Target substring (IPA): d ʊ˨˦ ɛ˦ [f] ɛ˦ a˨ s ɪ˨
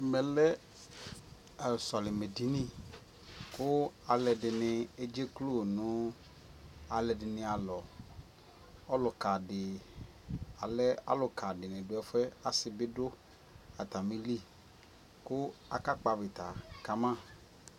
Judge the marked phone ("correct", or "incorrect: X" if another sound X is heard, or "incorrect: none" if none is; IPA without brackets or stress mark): correct